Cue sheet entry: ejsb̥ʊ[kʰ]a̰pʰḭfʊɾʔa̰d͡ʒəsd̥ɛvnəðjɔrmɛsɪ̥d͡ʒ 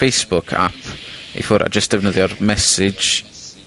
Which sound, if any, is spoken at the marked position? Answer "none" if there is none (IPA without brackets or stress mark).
kʰ